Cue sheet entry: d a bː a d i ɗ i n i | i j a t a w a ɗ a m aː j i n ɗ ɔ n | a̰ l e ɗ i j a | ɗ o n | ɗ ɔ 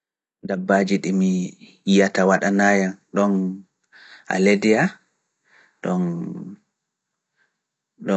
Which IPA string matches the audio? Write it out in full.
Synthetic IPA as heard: d a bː a d͡ʒ i ɗ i m i | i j a t a w a ɗ a n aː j a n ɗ ɔ n | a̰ l e d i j a | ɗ ɔ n | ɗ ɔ